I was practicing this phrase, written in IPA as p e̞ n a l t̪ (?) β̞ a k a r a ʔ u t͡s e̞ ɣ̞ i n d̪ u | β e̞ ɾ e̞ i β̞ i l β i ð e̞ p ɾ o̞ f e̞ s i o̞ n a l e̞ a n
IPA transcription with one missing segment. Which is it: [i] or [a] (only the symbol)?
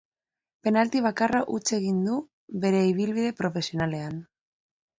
i